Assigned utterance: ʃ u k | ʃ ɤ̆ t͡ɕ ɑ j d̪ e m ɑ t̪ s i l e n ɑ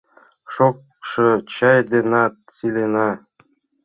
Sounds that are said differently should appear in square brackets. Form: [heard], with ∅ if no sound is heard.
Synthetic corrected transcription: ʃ [o] k | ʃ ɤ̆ t͡ɕ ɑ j d̪ e [n] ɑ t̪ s i l e n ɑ